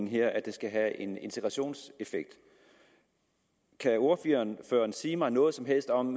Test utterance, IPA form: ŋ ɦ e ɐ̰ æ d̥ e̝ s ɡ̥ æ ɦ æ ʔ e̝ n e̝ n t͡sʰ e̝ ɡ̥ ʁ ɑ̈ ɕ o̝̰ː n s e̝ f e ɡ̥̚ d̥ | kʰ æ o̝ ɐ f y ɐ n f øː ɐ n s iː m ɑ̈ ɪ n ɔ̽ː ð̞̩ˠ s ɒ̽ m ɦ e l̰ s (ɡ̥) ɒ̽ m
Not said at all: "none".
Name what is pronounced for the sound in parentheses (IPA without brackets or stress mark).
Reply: d̥